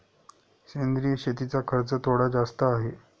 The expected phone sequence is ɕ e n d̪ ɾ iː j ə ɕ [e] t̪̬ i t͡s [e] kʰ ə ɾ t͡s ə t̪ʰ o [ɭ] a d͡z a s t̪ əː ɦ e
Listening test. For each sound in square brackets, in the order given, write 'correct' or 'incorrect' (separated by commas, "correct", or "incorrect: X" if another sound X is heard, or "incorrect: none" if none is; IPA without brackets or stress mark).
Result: correct, incorrect: a, incorrect: ɽ